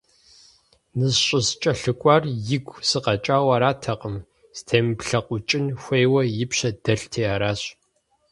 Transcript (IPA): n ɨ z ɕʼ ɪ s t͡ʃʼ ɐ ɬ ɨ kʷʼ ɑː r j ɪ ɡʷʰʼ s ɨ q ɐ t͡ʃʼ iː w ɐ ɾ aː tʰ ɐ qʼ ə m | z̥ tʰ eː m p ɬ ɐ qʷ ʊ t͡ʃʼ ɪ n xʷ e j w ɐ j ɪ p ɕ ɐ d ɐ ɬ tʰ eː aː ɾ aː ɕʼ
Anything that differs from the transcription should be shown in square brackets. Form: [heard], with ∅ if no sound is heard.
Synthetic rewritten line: n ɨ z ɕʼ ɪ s t͡ʃʼ ɐ ɬ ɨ kʷʼ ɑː r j ɪ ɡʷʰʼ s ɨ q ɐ t͡ʃʼ [aː] w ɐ ɾ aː tʰ ɐ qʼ ə m | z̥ tʰ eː m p ɬ ɐ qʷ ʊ t͡ʃʼ ɪ n xʷ e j w ɐ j ɪ p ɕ ɐ d ɐ ɬ tʰ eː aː ɾ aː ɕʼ

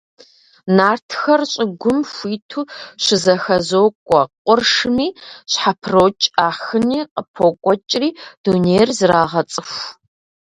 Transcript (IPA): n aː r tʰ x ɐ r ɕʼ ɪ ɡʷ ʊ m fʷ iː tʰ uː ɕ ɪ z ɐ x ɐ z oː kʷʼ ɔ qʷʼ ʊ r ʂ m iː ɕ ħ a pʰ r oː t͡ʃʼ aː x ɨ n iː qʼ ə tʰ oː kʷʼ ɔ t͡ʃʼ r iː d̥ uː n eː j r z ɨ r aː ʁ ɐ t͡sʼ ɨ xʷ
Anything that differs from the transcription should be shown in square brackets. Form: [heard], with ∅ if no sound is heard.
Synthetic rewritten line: n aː r tʰ x ɐ r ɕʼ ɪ ɡʷ ʊ m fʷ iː tʰ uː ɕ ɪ z ɐ x ɐ z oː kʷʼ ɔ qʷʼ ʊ r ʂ m iː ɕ ħ a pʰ r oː t͡ʃʼ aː x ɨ n iː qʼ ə [pʰ] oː kʷʼ ɔ t͡ʃʼ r iː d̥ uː n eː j r z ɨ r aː ʁ ɐ t͡sʼ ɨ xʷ

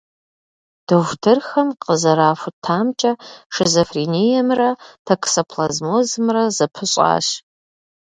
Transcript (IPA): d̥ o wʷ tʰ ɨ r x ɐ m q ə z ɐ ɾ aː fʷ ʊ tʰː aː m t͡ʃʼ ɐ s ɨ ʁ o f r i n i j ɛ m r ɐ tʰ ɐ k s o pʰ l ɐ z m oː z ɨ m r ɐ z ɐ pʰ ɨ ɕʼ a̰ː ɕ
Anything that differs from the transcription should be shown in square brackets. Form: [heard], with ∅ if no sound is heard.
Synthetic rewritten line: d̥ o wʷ tʰ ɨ r x ɐ m q ə z ɐ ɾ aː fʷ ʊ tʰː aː m t͡ʃʼ ɐ [ʂ] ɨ [z] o f r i n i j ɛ m r ɐ tʰ ɐ k s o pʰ l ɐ z m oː z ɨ m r ɐ z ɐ pʰ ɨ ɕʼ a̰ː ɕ

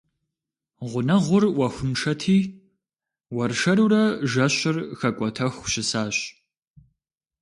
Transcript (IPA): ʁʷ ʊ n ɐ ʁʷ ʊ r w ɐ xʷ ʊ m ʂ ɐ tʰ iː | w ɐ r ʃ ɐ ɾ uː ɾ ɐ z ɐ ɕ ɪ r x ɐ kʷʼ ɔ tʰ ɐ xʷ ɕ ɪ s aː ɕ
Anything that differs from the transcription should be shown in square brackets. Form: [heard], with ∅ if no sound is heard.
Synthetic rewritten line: ʁʷ ʊ n ɐ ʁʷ ʊ r w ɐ xʷ ʊ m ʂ ɐ tʰ iː | w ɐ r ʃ ɐ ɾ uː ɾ ɐ [ʒ] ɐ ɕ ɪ r x ɐ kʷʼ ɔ tʰ ɐ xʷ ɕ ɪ s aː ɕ

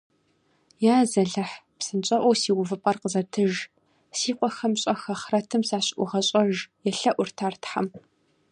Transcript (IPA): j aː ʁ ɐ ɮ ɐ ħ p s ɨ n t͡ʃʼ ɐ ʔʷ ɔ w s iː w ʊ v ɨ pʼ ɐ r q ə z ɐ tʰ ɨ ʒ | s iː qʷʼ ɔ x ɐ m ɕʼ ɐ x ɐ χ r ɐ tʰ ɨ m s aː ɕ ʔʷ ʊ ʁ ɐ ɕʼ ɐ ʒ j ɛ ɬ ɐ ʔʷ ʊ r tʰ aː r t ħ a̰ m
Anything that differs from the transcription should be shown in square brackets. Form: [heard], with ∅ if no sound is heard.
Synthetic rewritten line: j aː [z] ɐ ɮ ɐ ħ p s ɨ n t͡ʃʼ ɐ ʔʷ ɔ w s iː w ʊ v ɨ pʼ ɐ r q ə z ɐ tʰ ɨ ʒ | s iː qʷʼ ɔ x ɐ m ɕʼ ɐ x ɐ χ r ɐ tʰ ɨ m s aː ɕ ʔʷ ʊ ʁ ɐ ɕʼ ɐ ʒ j ɛ ɬ ɐ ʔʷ ʊ r tʰ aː r t ħ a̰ m

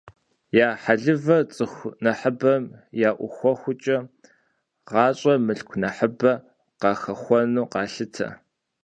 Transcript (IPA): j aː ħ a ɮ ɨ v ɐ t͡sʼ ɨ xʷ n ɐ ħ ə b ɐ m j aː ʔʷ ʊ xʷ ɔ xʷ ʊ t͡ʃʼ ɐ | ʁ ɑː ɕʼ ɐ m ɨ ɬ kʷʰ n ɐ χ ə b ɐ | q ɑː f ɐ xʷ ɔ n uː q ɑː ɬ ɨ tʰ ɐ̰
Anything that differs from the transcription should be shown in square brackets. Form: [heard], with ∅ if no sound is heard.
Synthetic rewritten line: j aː ħ a ɮ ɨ v ɐ t͡sʼ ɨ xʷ n ɐ ħ ə b ɐ m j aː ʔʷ ʊ xʷ ɔ xʷ ʊ t͡ʃʼ ɐ | ʁ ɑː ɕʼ ɐ m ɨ ɬ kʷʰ n ɐ [ħ] ə b ɐ | q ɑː [x] ɐ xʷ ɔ n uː q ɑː ɬ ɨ tʰ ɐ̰

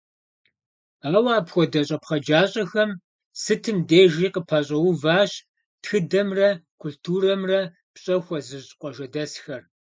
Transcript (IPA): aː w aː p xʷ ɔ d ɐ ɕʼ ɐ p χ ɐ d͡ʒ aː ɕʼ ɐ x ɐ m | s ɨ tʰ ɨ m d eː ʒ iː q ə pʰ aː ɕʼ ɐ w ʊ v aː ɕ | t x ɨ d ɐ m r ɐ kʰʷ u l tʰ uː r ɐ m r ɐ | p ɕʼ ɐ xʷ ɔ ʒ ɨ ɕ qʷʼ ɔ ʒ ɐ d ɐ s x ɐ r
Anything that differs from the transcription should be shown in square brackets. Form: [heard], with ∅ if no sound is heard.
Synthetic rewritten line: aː w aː p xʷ ɔ d ɐ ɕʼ ɐ p χ ɐ d͡ʒ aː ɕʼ ɐ x ɐ m | s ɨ tʰ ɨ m d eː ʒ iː q ə pʰ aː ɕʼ ɐ w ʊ v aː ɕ | t x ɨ d ɐ m r ɐ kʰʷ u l tʰ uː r ɐ m r ɐ | p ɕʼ ɐ xʷ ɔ [z] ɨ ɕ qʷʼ ɔ ʒ ɐ d ɐ s x ɐ r

